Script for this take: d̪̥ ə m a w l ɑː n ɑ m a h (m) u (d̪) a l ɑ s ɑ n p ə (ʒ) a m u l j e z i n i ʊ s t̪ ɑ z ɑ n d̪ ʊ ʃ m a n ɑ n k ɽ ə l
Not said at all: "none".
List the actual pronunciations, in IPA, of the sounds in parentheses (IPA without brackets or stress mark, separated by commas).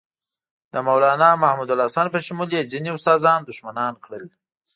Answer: m, d̪, ʃ